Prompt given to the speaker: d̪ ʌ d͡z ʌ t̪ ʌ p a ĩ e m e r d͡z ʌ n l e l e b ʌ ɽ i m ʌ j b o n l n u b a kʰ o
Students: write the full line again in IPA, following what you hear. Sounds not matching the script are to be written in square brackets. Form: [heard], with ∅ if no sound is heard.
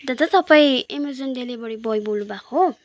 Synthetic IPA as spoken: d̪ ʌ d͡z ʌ t̪ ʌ p a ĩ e m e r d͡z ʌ n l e l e b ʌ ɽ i [b] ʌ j b o [∅] l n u b a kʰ o